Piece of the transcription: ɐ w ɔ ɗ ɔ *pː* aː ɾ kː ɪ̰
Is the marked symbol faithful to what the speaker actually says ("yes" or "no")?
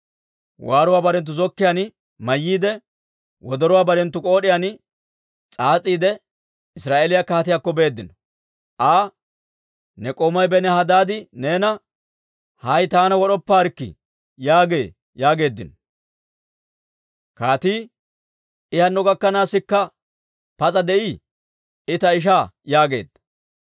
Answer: yes